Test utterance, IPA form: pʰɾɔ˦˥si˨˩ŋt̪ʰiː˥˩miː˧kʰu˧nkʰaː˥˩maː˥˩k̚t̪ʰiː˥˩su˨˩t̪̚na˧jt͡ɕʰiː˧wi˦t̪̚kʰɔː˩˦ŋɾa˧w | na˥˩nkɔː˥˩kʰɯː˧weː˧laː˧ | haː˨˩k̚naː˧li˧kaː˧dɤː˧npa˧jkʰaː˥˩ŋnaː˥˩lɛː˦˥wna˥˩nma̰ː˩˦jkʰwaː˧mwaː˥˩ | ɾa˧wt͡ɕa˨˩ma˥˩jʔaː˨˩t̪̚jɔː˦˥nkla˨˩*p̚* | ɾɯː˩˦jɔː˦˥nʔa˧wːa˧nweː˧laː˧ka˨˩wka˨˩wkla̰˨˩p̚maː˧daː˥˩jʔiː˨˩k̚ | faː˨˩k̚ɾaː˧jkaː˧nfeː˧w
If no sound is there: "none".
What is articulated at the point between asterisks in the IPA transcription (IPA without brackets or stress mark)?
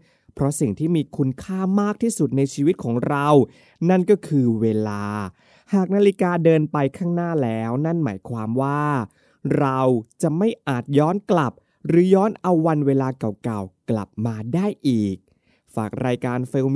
p̚